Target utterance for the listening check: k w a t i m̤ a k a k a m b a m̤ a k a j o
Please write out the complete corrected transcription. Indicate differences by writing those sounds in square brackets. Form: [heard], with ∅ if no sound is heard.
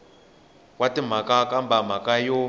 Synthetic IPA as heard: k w a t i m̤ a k a k a m b a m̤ a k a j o

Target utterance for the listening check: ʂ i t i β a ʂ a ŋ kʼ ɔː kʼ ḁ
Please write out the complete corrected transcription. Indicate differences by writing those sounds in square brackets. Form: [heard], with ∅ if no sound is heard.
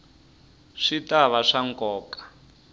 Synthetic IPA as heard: ʂ i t [a] β a ʂ a ŋ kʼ ɔː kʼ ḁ

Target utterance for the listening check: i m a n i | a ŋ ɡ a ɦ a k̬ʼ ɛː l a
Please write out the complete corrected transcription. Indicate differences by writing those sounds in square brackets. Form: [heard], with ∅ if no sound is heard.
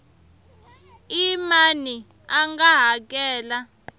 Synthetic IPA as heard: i m a n i | a ŋ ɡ a ɦ a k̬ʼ ɛː l a

